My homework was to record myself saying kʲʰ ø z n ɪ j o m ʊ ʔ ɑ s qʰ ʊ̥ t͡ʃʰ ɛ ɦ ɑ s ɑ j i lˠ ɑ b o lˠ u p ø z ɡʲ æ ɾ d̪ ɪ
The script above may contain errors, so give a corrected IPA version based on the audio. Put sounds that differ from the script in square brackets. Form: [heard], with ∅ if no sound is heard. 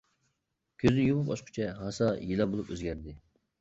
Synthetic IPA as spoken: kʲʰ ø z n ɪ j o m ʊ [p] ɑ [ʃ] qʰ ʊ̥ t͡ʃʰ ɛ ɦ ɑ s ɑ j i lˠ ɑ b o lˠ u p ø z ɡʲ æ ɾ d̪ ɪ

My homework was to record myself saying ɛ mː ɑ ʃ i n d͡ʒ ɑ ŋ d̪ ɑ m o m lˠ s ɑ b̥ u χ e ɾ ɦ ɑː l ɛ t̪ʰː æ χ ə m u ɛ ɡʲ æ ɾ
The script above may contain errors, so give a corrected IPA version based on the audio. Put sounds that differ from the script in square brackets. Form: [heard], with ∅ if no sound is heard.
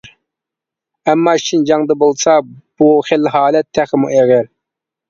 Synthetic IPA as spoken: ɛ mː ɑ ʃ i n d͡ʒ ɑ ŋ d̪ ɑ [b] o [∅] lˠ s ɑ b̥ u χ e [l] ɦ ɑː l ɛ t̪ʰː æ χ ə m u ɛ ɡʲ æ ɾ

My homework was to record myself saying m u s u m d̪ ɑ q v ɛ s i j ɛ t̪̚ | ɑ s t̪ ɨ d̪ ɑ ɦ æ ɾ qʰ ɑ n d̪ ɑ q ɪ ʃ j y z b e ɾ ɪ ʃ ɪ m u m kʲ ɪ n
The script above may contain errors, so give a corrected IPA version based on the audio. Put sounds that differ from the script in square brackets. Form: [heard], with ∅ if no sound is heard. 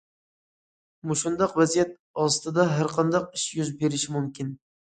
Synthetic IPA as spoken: m u [ʃ] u [n] d̪ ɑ q v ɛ [z] i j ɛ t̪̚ | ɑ s t̪ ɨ d̪ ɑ ɦ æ ɾ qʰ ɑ n d̪ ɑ q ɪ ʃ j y z b e ɾ ɪ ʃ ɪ m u m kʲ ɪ n

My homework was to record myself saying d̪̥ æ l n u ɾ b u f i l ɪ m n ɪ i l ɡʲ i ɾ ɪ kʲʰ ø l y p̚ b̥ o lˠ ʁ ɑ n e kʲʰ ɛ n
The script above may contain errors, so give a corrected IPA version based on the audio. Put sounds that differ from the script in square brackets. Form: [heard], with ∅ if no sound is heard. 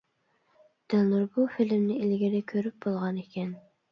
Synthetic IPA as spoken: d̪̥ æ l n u ɾ b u f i l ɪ m n ɪ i l ɡʲ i ɾ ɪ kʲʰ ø [ɾ] y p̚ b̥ o lˠ ʁ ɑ n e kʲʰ ɛ n

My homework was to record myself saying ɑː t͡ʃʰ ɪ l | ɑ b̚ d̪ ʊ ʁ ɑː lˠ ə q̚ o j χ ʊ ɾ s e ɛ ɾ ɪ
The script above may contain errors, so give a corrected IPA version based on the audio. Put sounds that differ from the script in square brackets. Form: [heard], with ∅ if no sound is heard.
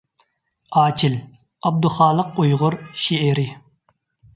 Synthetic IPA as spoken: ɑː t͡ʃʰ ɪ l | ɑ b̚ d̪ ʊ [χ] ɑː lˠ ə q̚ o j [ʁ] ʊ ɾ [ʃ] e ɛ ɾ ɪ

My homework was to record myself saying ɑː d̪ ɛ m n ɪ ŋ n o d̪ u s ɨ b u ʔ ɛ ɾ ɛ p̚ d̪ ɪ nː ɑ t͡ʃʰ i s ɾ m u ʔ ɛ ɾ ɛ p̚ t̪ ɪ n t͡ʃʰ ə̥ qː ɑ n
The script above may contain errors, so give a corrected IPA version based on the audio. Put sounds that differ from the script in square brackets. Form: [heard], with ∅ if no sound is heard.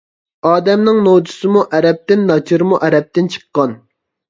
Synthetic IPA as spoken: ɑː d̪ ɛ m n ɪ ŋ n o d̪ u s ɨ [m] u ʔ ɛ ɾ ɛ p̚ [t̪] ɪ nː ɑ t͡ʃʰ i [∅] ɾ m u ʔ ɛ ɾ ɛ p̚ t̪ ɪ n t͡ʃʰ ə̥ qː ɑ n

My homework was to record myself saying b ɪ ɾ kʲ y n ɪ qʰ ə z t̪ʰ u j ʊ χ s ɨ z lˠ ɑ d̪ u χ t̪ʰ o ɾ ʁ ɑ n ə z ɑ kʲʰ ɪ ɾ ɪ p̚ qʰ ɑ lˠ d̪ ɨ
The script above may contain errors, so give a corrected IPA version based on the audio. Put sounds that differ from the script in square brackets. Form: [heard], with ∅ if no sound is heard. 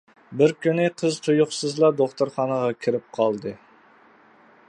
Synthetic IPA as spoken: b ɪ ɾ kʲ y n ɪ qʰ ə z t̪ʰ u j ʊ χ s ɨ z lˠ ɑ d̪ [o] χ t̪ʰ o ɾ [χ] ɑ n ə [ʁ] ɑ kʲʰ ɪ ɾ ɪ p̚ qʰ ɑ lˠ d̪ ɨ

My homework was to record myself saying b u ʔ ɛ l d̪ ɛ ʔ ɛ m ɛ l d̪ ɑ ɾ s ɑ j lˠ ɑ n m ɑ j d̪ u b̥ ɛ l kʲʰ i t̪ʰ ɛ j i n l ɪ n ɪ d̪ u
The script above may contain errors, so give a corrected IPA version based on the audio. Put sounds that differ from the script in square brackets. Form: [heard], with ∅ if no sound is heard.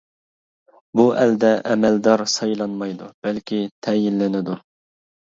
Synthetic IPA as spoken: b u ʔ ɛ l d̪ ɛ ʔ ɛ m ɛ l d̪ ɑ ɾ s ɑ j lˠ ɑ n m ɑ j d̪ u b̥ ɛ l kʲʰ i t̪ʰ ɛ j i n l ɪ n ɪ d̪ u

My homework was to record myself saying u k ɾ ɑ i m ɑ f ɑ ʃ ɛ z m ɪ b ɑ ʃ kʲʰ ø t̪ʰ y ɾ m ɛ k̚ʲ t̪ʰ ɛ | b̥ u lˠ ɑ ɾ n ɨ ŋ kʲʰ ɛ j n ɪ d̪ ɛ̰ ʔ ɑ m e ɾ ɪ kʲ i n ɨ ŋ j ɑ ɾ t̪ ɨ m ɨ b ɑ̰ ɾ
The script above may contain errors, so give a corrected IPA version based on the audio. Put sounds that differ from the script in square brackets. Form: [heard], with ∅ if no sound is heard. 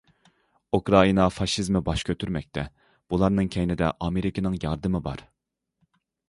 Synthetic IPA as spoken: u k ɾ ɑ i [n] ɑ f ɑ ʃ [i] z m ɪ b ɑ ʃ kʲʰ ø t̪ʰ y ɾ m ɛ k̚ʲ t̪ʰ ɛ | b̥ u lˠ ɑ ɾ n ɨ ŋ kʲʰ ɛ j n ɪ d̪ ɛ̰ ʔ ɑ m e ɾ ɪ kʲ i n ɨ ŋ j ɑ ɾ [d̪] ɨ m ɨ b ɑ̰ ɾ

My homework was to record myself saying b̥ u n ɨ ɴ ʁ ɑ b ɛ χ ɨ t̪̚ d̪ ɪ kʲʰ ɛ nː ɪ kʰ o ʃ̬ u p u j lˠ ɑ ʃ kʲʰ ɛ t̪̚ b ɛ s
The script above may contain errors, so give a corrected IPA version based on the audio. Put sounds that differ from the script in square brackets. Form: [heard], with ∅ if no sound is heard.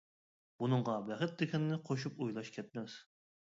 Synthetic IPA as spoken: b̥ u n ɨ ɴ ʁ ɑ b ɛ χ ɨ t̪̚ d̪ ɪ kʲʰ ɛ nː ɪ [qʰ] o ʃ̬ u p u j lˠ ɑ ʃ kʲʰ ɛ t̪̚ [m] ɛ s

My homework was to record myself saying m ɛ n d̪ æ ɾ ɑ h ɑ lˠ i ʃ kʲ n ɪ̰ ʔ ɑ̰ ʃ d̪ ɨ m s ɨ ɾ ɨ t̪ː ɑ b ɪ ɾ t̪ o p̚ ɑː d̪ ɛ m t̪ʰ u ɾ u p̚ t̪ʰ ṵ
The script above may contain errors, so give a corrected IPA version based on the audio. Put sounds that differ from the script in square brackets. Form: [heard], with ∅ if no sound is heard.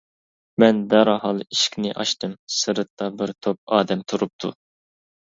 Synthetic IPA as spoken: m ɛ n d̪ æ ɾ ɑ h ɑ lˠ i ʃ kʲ n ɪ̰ ʔ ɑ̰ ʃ [t̪] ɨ m s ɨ ɾ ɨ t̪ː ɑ b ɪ ɾ [t̪ʰ] o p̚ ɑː d̪ ɛ m t̪ʰ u ɾ u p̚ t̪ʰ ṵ

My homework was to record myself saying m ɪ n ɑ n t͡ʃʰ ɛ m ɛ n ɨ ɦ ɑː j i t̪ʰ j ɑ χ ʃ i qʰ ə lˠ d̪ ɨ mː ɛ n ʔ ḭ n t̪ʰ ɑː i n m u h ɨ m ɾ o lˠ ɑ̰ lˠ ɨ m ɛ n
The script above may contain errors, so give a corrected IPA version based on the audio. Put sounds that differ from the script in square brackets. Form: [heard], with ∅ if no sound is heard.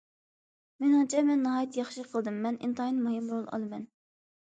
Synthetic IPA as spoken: m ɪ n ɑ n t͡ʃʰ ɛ m ɛ [nː] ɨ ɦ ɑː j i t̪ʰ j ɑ χ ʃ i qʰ ə lˠ d̪ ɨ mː ɛ n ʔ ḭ n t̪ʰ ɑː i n m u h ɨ m ɾ o lˠ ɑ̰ lˠ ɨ m ɛ n

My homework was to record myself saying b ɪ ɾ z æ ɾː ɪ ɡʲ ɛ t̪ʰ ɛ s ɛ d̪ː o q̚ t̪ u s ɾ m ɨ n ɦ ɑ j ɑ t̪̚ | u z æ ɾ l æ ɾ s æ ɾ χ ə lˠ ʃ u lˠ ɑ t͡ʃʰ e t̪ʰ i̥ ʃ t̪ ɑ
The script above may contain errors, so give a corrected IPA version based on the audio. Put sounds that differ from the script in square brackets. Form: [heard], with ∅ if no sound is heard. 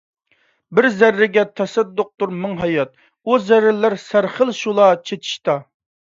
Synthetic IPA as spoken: b ɪ ɾ z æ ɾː ɪ ɡʲ ɛ t̪ʰ ɛ s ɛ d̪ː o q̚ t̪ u [∅] ɾ m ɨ [ŋ] ɦ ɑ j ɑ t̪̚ | u z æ ɾ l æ ɾ s æ ɾ χ ə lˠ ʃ u lˠ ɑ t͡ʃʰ e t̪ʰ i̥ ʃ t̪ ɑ

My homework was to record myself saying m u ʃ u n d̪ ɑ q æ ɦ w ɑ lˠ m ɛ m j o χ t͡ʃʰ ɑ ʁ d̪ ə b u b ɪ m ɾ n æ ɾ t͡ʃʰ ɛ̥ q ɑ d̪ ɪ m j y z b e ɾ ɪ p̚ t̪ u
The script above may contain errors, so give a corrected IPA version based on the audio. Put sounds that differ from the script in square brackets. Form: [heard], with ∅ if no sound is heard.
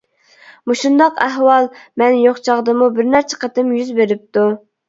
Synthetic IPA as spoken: m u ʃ u n d̪ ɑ q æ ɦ w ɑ lˠ m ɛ [n] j o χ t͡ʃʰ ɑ ʁ d̪ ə [m] u b ɪ [∅] ɾ n æ ɾ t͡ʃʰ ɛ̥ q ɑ [t̪] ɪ m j y z b e ɾ ɪ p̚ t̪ u

